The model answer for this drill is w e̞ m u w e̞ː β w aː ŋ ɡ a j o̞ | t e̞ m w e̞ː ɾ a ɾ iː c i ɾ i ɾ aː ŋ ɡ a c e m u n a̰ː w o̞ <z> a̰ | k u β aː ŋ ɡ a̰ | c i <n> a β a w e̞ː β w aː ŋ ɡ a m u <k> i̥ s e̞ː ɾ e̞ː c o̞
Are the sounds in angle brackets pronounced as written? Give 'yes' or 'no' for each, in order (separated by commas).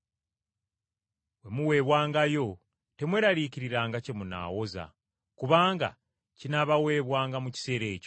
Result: yes, yes, no